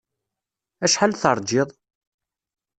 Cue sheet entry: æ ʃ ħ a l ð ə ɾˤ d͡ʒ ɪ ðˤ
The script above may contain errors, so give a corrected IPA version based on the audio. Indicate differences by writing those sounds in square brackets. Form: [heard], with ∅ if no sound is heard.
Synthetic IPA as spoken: æ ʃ ħ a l [θ] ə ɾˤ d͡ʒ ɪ ðˤ